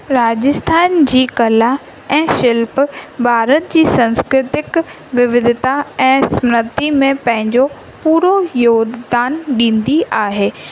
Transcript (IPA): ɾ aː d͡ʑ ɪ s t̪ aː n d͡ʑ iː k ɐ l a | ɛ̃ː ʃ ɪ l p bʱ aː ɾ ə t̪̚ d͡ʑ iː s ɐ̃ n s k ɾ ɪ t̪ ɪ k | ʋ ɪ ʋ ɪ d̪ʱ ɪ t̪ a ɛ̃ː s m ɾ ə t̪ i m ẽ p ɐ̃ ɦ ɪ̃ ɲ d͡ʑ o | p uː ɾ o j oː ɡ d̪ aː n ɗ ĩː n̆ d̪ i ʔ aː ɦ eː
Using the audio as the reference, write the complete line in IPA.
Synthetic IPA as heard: ɾ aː d͡ʑ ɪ s t̪ʰ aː n d͡ʑ iː k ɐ l a | ɛ̃ː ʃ ɪ l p bʱ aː ɾ ə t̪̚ d͡ʑ iː s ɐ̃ n s k ɾ ɪ t̪ ɪ k | ʋ ɪ ʋ ɪ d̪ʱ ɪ t̪ a ɛ̃ː s m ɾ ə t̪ i m ẽ p ɐ̃ ɦ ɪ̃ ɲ d͡ʑ o | p uː ɾ o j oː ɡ d̪ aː n ɗ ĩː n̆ d̪ i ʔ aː ɦ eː